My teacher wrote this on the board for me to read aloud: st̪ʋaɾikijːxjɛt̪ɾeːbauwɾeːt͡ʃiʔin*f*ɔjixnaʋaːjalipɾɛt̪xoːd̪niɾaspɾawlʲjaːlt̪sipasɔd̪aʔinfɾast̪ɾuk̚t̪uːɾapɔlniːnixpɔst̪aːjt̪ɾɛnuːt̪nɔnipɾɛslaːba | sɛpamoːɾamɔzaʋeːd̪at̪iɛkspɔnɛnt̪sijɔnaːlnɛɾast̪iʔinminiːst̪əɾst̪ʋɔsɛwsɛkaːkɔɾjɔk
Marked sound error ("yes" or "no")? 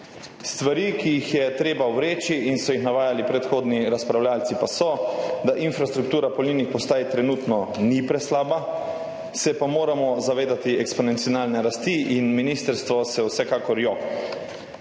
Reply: yes